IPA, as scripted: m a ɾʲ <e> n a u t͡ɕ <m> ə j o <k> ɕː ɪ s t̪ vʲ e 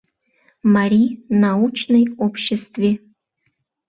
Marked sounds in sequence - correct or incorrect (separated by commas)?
incorrect, incorrect, incorrect